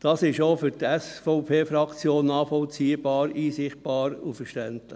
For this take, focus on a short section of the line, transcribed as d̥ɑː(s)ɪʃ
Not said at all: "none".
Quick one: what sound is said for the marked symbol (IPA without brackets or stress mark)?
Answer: s